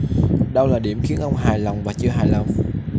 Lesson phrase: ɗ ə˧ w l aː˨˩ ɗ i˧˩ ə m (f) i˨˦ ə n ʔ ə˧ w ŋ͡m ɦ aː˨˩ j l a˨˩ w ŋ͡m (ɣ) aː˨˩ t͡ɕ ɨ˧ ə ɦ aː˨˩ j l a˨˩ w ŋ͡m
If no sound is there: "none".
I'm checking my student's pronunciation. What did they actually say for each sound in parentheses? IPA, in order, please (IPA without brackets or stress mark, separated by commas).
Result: x, v